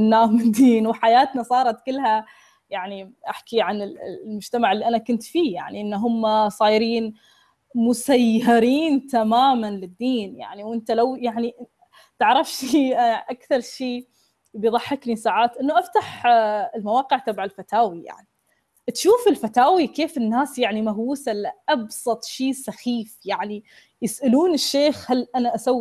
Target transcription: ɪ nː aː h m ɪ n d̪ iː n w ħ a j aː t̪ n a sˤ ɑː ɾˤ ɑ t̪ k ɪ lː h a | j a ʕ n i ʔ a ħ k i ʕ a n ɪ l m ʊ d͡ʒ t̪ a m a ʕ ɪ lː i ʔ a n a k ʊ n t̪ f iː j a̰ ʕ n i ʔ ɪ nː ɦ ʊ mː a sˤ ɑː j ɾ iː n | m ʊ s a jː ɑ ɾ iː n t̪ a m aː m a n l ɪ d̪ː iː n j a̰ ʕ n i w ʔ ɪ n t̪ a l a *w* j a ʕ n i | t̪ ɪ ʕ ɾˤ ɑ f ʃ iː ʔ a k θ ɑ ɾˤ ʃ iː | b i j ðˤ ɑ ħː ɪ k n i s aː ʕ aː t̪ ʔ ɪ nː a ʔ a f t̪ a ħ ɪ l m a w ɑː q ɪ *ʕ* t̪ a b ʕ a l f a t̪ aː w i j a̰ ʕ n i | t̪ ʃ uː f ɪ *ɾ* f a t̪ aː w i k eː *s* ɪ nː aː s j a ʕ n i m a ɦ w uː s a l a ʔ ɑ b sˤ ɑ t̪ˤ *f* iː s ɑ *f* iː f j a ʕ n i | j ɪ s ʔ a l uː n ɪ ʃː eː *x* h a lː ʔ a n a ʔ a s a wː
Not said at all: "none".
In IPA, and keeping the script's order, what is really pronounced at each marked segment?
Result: w, ʕ, l, f, ʃ, x, x

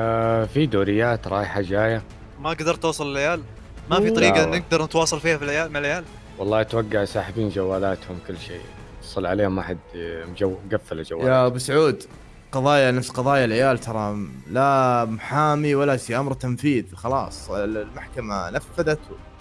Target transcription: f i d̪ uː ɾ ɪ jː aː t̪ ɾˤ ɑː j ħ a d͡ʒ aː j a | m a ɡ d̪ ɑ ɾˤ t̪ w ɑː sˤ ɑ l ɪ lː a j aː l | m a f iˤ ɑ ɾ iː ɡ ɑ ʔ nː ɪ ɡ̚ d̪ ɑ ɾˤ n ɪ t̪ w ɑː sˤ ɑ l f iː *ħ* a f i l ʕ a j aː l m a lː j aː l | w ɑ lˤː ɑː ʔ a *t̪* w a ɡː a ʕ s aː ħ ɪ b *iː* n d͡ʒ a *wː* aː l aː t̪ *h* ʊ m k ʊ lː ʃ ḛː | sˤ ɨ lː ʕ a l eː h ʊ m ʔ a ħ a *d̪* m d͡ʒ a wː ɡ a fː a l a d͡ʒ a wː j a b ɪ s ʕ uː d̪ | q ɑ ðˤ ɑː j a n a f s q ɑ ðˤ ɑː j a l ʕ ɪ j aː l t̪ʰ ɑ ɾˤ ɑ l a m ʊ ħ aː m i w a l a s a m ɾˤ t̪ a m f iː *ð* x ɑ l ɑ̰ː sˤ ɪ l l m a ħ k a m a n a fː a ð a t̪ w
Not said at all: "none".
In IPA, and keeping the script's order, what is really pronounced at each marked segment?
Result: h, t̪, iː, wː, h, d̪, ð

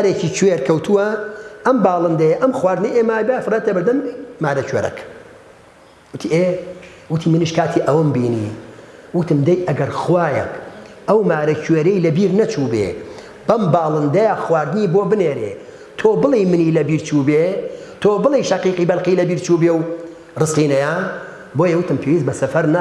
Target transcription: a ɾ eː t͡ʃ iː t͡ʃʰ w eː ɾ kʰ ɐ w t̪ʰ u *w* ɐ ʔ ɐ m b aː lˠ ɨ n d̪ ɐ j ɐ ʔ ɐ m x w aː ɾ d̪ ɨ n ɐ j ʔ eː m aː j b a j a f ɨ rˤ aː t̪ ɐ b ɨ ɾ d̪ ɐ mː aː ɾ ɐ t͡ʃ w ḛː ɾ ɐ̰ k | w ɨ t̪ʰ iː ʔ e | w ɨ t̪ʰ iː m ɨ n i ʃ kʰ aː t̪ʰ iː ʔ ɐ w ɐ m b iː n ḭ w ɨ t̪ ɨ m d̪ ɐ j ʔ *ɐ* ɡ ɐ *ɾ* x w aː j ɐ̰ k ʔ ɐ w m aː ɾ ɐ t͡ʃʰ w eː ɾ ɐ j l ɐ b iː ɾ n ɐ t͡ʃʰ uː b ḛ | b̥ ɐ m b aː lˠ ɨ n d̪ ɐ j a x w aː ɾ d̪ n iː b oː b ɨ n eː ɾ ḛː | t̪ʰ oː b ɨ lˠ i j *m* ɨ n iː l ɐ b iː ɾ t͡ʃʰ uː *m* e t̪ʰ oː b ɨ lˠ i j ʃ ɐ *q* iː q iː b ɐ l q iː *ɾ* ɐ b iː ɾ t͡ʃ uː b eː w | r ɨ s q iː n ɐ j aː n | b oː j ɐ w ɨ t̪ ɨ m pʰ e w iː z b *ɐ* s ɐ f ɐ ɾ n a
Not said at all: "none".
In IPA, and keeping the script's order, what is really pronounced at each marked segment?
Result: w, ɐ, ɾ, m, b, q, l, ɐ

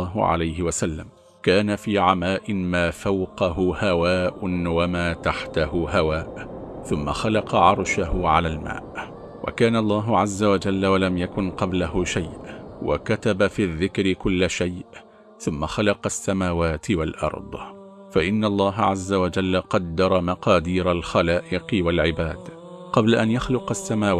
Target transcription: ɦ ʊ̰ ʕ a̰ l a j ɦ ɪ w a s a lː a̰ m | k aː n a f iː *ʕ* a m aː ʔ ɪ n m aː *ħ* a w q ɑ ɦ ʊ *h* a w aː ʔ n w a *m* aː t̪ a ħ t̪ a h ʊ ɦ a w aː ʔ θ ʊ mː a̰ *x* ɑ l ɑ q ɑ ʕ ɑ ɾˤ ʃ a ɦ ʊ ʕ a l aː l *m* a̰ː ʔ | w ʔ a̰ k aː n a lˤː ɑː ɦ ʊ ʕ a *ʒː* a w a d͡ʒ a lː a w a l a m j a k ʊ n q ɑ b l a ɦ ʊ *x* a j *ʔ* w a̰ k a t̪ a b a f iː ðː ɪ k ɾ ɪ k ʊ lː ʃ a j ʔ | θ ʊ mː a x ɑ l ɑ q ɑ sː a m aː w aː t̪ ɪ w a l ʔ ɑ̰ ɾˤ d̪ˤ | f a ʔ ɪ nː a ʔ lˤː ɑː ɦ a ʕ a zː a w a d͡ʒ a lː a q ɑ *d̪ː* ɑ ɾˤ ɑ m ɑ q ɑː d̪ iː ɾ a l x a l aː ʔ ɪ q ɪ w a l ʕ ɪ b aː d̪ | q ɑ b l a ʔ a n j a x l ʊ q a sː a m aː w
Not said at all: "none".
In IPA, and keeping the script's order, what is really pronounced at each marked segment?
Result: ʕ, f, h, m, x, m, zː, ʃ, ʔ, d̪ː

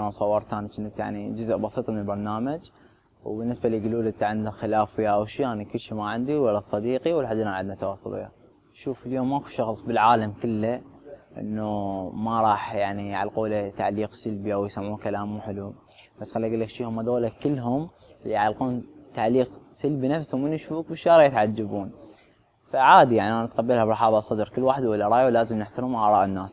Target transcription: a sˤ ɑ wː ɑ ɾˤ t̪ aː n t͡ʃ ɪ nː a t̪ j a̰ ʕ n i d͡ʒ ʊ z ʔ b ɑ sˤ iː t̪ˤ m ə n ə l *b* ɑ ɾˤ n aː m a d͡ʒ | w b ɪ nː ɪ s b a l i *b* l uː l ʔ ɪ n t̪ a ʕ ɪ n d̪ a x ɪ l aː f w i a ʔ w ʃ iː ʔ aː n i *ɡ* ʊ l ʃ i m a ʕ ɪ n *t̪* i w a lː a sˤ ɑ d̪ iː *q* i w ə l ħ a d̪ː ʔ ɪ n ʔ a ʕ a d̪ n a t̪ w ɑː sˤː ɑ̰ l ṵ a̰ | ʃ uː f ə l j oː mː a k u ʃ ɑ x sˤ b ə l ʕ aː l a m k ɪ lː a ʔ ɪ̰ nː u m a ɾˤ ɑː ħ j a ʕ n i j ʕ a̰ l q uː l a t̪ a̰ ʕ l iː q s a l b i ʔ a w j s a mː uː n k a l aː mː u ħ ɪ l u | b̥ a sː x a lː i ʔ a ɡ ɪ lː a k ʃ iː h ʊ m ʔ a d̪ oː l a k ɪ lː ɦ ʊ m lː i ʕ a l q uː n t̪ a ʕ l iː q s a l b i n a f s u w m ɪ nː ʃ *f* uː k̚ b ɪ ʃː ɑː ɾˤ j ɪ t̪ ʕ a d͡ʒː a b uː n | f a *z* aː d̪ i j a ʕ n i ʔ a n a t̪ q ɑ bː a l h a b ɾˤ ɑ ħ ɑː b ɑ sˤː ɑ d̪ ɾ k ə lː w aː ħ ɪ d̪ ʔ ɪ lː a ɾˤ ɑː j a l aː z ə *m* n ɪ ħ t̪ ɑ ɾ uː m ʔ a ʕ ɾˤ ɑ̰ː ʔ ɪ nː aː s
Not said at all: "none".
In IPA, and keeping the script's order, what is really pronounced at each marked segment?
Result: b, ɡ, k, d̪, q, f, ʕ, m

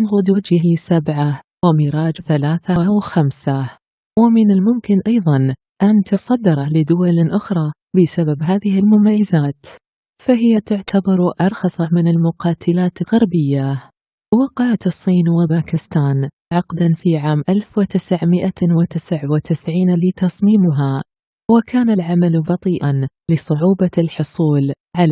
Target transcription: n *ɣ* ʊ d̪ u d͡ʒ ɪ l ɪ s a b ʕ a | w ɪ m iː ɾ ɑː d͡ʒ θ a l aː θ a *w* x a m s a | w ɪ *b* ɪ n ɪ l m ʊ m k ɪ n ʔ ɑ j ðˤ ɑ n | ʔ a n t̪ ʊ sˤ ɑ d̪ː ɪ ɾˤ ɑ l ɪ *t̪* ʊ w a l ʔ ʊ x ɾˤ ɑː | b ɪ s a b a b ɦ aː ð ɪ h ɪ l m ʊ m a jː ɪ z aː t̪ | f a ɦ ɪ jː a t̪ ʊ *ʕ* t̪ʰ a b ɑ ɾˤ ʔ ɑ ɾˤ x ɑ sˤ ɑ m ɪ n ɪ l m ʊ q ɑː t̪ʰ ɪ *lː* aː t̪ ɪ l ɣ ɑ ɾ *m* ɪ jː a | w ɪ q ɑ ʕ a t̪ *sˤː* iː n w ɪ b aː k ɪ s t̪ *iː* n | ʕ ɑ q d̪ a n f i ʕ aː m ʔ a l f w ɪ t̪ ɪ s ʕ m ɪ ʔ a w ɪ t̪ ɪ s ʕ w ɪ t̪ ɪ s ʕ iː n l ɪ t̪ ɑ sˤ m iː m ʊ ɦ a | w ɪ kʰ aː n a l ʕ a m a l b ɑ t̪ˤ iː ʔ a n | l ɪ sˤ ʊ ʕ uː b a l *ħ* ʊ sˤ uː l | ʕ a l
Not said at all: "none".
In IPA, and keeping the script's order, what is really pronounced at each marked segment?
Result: ɣ, w, m, d̪, ʕ, l, b, sˤː, aː, ħ

